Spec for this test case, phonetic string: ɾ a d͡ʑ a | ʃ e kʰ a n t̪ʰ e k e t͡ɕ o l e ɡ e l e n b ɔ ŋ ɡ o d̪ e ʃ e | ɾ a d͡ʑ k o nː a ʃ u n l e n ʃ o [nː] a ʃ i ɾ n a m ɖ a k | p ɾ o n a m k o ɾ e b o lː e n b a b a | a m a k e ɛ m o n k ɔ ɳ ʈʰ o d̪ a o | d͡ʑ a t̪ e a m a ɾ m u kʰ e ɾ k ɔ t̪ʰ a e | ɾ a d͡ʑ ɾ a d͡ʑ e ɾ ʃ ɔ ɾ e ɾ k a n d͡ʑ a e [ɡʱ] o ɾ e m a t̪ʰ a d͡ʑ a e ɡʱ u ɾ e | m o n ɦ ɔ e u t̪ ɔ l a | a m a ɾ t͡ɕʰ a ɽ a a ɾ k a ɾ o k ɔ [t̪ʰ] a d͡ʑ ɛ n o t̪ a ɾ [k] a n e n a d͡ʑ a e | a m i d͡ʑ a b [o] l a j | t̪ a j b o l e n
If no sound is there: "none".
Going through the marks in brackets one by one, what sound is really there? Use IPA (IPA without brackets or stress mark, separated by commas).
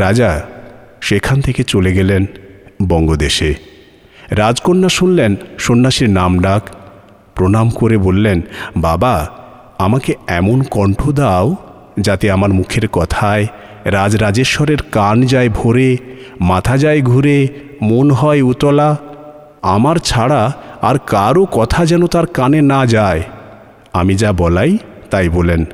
nː, bʱ, t̪ʰ, k, ɔ